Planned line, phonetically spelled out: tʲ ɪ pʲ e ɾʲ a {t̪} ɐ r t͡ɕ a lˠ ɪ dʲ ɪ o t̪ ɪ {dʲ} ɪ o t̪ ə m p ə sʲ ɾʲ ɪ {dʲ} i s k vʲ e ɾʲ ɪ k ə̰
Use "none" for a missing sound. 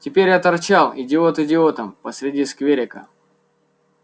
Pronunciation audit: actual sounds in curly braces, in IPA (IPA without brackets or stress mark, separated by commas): t̪, dʲ, dʲ